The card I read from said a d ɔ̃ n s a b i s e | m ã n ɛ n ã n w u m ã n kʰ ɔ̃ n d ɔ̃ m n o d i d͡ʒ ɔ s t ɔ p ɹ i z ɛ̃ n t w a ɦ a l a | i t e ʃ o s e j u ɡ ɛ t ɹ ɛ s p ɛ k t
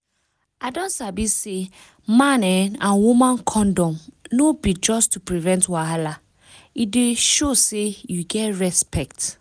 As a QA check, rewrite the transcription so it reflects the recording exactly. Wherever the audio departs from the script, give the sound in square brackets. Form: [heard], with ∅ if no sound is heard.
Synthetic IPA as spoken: a d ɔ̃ n s a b i s e | m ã n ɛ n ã n w u m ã n kʰ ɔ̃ n d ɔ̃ m n o [b] i d͡ʒ ɔ s t [u] p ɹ i [v] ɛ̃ n t w a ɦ a l a | i [d] e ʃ o s e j u ɡ ɛ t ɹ ɛ s p ɛ k t